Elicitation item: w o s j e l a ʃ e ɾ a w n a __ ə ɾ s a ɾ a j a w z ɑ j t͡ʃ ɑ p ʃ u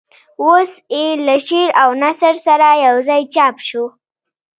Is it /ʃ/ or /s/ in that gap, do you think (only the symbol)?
s